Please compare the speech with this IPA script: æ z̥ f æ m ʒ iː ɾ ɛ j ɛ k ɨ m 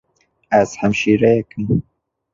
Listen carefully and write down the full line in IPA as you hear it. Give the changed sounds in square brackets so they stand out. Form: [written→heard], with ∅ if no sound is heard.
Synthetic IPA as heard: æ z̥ [f→h] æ m [ʒ→ʃ] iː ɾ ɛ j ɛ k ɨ m

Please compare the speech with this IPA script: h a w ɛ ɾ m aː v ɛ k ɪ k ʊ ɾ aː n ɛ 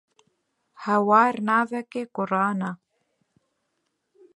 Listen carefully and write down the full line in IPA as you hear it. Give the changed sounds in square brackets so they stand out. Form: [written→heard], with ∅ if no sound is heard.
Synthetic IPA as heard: h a w [ɛ→a] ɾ [m→n] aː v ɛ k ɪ k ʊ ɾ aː n [ɛ→a]

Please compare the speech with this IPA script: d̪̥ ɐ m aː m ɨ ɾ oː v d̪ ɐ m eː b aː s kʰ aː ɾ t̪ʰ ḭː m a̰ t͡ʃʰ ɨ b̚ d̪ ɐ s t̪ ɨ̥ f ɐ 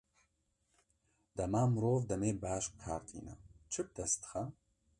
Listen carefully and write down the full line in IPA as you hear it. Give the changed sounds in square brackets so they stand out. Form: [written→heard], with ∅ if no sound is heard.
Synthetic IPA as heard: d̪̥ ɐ m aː m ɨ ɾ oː v d̪ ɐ m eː b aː [s→ʃ] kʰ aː ɾ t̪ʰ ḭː [m→n] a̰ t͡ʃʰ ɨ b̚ d̪ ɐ s t̪ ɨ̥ [f→x] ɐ

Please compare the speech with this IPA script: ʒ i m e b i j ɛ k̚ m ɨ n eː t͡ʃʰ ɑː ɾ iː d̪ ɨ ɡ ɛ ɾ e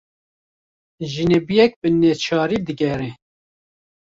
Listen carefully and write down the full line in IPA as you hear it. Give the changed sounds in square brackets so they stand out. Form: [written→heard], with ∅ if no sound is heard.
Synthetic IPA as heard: ʒ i [m→n] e b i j ɛ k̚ [m→b] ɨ n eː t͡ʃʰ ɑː ɾ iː d̪ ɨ ɡ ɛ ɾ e

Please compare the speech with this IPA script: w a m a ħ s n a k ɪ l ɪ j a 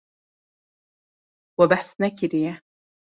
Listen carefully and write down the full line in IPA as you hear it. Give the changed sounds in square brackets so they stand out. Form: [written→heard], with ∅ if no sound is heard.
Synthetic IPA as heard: w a [m→b] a ħ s n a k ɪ [l→ɾ] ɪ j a

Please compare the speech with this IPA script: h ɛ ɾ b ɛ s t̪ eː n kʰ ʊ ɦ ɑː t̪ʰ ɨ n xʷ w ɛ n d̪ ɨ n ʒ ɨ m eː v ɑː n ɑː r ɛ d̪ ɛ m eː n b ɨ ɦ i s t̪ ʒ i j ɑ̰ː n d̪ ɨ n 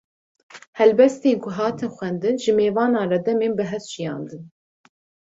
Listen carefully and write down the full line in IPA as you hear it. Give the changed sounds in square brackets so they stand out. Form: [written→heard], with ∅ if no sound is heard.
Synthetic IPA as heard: h ɛ [ɾ→l] b ɛ s t̪ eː n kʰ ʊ ɦ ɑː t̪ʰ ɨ n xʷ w ɛ n d̪ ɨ n ʒ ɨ m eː v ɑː n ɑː r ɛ d̪ ɛ m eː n b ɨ ɦ [i→ɛ] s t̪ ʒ i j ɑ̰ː n d̪ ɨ n

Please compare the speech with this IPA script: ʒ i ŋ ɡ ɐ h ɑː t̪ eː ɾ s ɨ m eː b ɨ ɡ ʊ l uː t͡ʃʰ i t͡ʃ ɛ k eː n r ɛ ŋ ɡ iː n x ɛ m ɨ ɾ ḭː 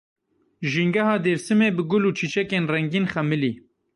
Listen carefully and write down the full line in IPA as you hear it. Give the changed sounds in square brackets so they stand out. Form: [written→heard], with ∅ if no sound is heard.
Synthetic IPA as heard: ʒ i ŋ ɡ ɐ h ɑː [t̪→d̪] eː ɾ s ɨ m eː b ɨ ɡ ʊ l uː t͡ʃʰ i t͡ʃ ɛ k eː n r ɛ ŋ ɡ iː n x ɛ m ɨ [ɾ→l] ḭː

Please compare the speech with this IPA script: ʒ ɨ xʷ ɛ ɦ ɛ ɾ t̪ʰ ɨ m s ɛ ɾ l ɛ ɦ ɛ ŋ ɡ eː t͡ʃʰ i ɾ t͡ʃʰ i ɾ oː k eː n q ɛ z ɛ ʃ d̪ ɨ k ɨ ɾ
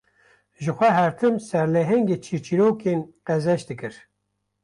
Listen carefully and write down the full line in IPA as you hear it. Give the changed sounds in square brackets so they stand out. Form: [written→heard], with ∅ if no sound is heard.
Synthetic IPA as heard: ʒ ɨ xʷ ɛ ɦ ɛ ɾ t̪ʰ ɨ m s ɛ ɾ l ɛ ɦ ɛ ŋ ɡ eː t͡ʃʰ i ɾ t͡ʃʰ i ɾ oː k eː n q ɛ z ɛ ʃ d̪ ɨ k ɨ ɾ

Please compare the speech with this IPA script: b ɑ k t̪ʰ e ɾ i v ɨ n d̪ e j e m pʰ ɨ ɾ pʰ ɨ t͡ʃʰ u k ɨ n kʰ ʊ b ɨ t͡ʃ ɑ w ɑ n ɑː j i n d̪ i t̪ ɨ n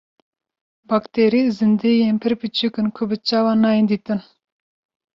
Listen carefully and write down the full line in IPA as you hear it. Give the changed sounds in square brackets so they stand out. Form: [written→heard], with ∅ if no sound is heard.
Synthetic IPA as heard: b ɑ k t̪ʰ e ɾ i [v→z] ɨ n d̪ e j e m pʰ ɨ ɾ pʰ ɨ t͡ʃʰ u k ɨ n kʰ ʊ b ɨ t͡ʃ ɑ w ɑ n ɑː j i n d̪ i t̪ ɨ n

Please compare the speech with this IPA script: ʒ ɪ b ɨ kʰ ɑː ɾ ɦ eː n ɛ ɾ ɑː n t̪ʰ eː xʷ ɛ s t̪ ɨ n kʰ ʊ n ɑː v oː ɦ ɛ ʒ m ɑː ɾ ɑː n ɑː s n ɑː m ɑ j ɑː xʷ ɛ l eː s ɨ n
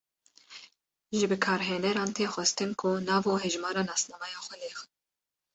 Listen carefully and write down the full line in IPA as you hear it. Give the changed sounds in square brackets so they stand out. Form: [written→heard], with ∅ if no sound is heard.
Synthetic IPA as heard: ʒ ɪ b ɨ kʰ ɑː ɾ ɦ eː n ɛ ɾ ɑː n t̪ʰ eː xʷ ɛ s t̪ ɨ n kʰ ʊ n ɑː v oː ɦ ɛ ʒ m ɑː ɾ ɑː n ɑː s n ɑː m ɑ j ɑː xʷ ɛ l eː [s→x] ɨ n

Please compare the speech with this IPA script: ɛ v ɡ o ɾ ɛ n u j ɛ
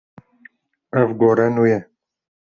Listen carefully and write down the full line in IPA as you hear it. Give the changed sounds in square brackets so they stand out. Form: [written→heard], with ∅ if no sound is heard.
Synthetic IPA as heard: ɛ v ɡ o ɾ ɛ n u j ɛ

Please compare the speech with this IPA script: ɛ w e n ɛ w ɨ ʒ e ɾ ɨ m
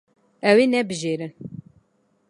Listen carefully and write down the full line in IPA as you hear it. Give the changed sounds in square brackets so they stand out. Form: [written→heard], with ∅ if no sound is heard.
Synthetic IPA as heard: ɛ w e n ɛ [w→b] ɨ ʒ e ɾ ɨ [m→n]

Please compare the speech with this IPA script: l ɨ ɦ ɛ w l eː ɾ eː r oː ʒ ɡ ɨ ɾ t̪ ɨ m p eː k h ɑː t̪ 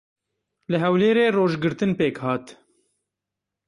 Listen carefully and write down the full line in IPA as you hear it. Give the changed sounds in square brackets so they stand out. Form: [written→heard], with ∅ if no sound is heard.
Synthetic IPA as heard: l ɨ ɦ ɛ w l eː ɾ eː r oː ʒ ɡ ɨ ɾ t̪ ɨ [m→n] p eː k h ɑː t̪

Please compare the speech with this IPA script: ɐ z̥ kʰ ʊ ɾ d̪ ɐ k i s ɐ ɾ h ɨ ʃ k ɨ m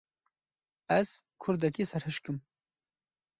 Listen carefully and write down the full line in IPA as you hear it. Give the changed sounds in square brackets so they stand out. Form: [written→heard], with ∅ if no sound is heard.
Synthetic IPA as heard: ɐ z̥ kʰ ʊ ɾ d̪ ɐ k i s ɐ ɾ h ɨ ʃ k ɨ m

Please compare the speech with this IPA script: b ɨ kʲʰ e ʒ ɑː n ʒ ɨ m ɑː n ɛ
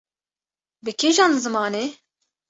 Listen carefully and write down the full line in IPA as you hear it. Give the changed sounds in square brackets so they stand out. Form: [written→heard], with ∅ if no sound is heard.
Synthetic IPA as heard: b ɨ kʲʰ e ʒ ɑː n [ʒ→z] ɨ m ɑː n [ɛ→e]

